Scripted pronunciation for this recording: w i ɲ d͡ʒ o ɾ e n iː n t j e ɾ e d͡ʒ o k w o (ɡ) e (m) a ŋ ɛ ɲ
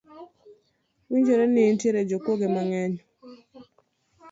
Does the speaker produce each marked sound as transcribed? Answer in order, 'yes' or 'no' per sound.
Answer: yes, yes

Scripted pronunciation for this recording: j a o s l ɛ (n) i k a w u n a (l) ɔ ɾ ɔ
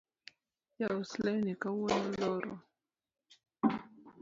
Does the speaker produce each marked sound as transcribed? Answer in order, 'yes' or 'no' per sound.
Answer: yes, yes

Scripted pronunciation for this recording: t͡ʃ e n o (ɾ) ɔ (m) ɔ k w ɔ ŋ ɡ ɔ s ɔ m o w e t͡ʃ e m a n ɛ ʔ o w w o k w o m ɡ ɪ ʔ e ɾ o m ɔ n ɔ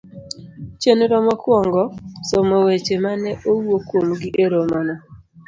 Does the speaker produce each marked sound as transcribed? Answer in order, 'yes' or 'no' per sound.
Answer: yes, yes

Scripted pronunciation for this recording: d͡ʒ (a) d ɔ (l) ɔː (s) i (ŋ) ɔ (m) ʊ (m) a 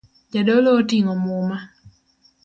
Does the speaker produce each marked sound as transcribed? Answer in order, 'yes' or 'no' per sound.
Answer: yes, yes, no, yes, yes, yes

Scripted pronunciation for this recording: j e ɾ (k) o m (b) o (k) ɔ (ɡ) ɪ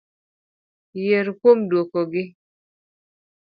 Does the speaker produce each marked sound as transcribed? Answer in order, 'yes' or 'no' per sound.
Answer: yes, no, yes, yes

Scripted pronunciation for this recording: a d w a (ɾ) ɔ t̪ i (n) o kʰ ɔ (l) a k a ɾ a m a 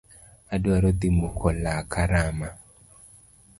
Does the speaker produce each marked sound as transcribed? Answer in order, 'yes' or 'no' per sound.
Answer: yes, no, yes

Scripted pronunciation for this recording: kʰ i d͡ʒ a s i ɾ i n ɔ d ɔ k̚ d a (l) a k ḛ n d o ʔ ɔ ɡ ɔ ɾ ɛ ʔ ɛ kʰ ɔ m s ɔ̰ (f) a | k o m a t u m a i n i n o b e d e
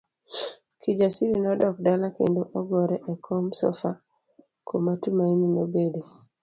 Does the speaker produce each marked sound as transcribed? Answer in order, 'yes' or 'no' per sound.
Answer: yes, yes

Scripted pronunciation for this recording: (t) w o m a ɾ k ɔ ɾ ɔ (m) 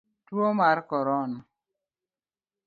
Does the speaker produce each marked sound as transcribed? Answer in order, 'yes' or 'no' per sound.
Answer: yes, no

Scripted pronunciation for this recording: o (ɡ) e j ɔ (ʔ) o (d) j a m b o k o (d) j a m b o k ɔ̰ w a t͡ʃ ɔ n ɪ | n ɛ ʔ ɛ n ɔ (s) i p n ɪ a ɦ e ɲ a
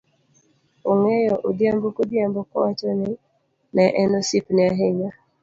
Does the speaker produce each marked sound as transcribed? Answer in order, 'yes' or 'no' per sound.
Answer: no, yes, yes, yes, yes

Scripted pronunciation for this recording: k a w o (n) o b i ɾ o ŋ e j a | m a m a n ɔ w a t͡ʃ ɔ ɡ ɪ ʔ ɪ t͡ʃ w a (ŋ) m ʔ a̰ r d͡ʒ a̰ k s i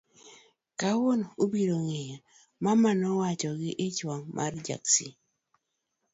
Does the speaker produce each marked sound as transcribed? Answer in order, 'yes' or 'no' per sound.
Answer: yes, yes

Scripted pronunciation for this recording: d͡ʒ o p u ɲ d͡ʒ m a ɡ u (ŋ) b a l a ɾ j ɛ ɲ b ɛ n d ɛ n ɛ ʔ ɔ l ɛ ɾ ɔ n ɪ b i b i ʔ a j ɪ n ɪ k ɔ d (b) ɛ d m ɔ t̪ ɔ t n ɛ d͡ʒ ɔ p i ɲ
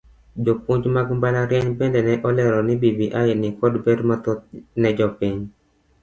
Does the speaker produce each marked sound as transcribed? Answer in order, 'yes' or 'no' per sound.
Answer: no, yes

